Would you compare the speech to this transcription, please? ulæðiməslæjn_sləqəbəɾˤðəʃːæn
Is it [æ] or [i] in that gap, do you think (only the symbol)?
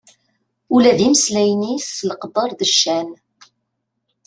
i